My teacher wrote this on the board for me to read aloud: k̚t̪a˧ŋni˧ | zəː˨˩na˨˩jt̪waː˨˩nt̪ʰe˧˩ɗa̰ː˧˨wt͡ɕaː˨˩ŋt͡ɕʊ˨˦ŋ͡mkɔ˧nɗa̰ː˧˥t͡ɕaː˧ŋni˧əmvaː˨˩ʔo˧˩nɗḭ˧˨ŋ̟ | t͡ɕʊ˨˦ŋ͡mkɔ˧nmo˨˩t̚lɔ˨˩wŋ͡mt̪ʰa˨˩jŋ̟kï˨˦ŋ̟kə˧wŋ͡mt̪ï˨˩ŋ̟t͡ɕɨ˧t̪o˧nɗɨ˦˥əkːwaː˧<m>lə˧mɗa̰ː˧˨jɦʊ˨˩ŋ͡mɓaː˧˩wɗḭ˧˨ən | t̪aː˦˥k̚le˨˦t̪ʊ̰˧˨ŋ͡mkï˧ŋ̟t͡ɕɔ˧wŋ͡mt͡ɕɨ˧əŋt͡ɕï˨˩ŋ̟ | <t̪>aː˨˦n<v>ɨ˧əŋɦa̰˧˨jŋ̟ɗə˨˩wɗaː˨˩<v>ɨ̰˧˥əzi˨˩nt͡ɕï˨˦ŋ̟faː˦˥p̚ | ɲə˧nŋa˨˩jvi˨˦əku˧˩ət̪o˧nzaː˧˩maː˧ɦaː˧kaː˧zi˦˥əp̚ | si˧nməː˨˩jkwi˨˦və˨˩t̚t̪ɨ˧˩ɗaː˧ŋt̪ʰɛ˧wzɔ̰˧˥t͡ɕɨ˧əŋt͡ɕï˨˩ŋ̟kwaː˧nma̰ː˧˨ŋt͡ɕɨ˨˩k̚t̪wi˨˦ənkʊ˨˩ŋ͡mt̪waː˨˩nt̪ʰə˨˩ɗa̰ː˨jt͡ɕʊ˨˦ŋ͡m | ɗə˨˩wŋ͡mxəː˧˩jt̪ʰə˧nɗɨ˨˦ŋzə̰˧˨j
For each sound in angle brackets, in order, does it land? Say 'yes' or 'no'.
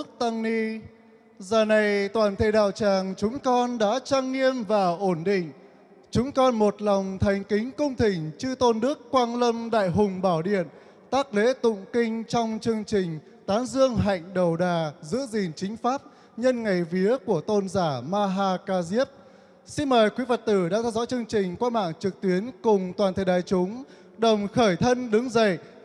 no, yes, no, no

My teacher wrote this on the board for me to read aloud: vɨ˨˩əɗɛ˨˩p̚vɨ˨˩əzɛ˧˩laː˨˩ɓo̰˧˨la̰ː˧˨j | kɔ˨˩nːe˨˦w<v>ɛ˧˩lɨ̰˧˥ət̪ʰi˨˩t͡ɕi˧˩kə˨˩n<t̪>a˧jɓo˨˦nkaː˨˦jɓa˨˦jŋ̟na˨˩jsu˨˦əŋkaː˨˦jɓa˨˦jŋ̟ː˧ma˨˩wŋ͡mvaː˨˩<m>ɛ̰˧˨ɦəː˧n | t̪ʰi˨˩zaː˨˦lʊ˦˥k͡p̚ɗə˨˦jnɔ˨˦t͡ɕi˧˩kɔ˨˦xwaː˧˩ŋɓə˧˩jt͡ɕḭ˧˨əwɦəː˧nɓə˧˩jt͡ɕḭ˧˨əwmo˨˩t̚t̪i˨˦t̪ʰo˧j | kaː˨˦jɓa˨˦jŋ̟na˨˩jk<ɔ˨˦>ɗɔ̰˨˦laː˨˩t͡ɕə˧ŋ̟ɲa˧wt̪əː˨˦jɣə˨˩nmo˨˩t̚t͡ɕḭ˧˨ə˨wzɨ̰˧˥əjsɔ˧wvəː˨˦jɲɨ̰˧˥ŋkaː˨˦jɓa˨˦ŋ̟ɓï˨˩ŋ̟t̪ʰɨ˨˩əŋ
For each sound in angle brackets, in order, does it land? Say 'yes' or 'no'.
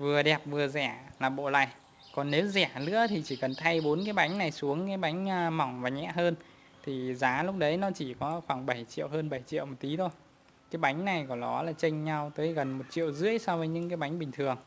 no, no, no, no

